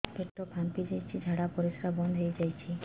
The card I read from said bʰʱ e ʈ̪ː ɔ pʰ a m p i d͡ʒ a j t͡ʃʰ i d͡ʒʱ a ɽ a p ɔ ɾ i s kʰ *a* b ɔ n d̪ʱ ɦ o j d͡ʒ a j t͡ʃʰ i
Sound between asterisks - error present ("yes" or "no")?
no